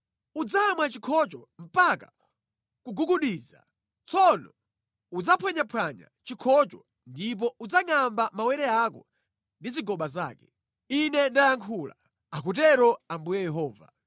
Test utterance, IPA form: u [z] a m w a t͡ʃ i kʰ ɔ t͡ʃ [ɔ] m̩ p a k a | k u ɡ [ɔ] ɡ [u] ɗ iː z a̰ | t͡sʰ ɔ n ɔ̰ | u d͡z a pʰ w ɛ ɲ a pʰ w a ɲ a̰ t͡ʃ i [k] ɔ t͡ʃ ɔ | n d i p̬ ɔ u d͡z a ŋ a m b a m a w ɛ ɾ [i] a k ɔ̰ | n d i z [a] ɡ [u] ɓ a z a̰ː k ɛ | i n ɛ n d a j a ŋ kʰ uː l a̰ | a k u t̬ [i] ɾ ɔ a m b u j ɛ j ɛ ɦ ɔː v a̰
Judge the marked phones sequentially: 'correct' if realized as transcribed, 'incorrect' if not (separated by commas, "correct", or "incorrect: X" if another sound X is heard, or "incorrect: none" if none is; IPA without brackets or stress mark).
incorrect: d͡z, correct, incorrect: u, correct, incorrect: kʰ, incorrect: ɛ, incorrect: i, incorrect: ɔ, incorrect: ɛ